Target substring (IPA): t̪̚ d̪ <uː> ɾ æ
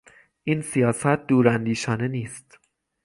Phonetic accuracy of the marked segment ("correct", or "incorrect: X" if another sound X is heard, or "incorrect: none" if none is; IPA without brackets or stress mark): correct